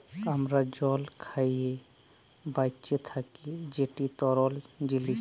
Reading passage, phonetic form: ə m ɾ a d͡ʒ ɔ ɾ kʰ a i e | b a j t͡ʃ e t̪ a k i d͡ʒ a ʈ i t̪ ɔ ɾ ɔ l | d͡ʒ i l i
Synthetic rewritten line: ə m ɾ a d͡ʒ ɔ l kʰ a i e | b a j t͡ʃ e t̪ʰ a k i d͡ʒ e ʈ i t̪ ɔ ɾ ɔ l | d͡ʒ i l i

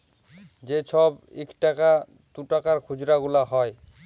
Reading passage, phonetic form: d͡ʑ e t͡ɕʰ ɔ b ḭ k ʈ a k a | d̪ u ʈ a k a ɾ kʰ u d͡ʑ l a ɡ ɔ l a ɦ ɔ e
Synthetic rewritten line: d͡ʑ e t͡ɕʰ ɔ b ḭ k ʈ a k a | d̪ u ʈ a k a ɾ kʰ u d͡ʑ ɾ a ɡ u l a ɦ ɔ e

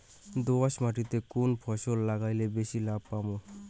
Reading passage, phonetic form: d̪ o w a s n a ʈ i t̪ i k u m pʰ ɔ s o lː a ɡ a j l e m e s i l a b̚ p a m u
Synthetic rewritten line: d̪ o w a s m a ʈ i t̪ e k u n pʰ ɔ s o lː a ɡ a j l e b e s i l a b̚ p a m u

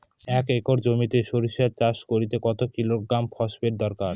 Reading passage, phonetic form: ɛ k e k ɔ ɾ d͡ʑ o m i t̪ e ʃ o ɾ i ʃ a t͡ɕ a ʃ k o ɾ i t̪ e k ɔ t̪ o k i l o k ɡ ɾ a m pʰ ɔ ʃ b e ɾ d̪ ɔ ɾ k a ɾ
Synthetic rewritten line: ɛ k e k o ɾ d͡ʑ o m i t̪ e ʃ o ɾ i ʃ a t͡ɕ a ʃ k o ɾ i t̪ e k ɔ t̪ o k i l o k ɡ ɾ a m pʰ ɔ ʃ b e ɾ d̪ ɔ ɾ k a ɾ

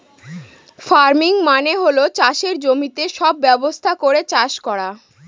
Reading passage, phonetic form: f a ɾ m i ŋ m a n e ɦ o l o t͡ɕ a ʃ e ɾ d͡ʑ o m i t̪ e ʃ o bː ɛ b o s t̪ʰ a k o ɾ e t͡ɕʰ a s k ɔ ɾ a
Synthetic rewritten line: f a ɾ m i ŋ m a n e ɦ o l o t͡ɕ a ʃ e ɾ d͡ʑ o m i t̪ e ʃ ɔ bː ɛ b o s t̪ʰ a k o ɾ e t͡ɕ a ʃ k ɔ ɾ a

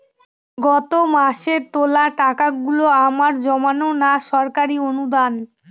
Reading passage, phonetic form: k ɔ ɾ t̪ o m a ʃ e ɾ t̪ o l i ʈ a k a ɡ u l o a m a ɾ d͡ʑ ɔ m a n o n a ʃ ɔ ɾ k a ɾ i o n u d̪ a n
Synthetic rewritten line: ɡ ɔ t̪ o m a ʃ e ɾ t̪ o l a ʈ a k a ɡ u l o a m a ɾ d͡ʑ ɔ m a n o n a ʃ ɔ ɾ k a ɾ i o n u d̪ a n

